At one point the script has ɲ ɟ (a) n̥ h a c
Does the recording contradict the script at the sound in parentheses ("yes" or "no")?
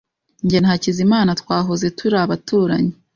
yes